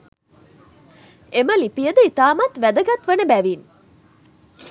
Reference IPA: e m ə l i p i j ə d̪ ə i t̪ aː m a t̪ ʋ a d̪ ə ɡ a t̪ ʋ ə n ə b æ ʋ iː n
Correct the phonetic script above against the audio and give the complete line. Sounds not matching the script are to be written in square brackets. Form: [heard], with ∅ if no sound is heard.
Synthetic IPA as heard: e m ə l i p i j ə d̪ ə i t̪ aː m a t̪ ʋ [æ] d̪ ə ɡ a t̪ ʋ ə n ə b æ ʋ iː n